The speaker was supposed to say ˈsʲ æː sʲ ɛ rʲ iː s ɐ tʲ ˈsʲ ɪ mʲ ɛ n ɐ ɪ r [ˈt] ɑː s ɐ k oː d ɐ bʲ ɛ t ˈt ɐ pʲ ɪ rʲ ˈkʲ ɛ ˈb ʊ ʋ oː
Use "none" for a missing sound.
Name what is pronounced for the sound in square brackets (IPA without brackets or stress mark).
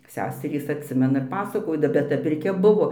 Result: p